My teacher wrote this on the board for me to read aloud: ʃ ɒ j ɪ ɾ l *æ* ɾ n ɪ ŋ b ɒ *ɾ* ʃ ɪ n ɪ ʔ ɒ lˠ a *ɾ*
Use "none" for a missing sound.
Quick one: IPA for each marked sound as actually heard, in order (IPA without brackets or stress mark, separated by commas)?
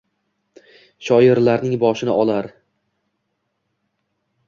a, none, ɾ